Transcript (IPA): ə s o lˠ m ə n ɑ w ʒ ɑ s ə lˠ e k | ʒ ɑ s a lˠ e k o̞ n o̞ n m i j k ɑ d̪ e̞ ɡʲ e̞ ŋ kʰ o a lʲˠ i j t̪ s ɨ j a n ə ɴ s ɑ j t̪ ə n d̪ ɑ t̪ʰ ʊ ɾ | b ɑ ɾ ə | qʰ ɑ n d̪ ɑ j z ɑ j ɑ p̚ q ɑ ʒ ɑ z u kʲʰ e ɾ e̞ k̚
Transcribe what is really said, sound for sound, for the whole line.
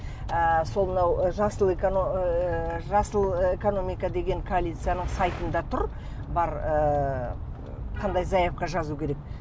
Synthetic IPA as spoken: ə s o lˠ m ə n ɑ w ʒ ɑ s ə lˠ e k | ʒ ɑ s ə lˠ e k o̞ n o̞ m i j k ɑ d̪ e̞ ɡʲ e̞ ŋ kʰ o a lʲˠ i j t̪ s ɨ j a n ə ɴ s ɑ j t̪ ə n d̪ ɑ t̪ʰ ʊ ɾ | b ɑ ɾ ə | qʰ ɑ n d̪ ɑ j z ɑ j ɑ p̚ q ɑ ʒ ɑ z u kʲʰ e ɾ e̞ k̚